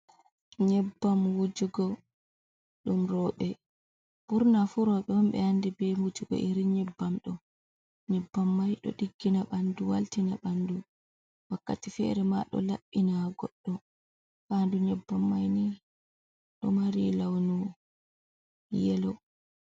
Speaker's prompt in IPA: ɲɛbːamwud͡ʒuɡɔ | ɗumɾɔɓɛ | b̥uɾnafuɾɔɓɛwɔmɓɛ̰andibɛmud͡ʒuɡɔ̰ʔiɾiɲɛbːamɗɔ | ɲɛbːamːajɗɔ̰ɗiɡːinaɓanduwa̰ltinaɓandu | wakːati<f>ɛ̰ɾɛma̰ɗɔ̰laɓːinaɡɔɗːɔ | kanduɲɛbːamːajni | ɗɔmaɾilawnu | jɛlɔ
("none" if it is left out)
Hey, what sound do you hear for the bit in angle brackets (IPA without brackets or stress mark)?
f